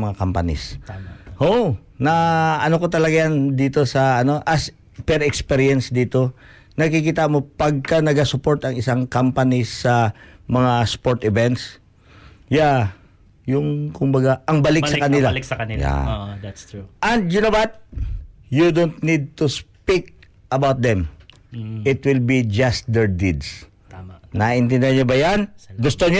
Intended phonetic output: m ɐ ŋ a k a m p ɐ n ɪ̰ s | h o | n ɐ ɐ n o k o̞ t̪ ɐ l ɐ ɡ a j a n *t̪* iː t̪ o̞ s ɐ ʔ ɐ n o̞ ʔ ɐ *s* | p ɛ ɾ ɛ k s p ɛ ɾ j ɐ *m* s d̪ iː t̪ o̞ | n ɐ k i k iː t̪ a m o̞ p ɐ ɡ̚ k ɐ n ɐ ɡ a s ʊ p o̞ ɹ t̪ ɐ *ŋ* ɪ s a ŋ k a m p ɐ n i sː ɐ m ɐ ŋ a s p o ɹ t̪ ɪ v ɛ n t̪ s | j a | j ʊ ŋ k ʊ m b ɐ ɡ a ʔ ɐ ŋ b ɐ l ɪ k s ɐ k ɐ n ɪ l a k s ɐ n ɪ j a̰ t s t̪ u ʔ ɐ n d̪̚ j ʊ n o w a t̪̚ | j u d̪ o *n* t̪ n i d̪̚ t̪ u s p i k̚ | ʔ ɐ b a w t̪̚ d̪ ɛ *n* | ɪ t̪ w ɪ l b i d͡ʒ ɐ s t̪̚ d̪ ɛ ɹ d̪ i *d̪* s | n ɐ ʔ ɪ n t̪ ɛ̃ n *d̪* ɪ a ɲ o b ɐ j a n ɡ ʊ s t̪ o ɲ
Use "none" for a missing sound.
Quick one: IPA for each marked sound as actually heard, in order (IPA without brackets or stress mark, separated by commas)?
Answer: d̪, s, n, ŋ, n, m, d̪, d̪